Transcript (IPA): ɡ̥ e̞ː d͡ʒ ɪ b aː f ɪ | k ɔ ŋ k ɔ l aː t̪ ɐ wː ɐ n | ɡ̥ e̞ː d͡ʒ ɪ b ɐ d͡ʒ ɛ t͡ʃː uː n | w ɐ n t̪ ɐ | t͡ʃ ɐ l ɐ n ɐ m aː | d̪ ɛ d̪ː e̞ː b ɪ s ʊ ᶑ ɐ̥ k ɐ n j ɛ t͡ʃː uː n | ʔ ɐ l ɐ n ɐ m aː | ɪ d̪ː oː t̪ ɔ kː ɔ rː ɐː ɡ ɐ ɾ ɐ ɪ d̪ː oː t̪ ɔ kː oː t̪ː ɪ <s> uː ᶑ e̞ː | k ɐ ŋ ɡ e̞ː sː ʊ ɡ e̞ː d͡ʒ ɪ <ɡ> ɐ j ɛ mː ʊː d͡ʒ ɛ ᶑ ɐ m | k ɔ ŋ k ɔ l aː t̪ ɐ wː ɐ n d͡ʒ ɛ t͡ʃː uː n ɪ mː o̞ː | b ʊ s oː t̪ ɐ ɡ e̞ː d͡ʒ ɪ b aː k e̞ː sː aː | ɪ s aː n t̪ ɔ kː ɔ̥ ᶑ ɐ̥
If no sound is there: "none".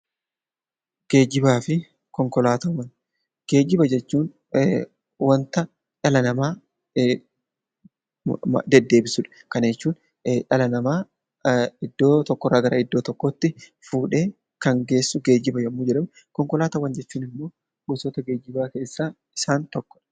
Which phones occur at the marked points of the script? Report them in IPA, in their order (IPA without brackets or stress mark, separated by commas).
f, b